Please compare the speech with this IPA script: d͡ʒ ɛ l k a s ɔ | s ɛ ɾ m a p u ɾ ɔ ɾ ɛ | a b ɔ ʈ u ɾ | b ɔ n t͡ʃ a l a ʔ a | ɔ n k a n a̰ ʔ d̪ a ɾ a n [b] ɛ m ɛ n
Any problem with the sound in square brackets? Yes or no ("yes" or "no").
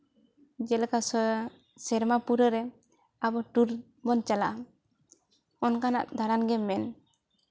yes